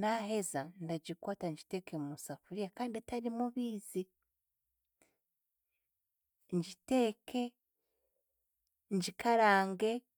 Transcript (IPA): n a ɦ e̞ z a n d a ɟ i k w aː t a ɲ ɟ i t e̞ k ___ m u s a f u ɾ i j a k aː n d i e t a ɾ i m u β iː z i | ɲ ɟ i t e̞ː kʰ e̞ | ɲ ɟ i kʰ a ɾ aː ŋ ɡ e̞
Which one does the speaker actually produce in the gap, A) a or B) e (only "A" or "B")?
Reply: B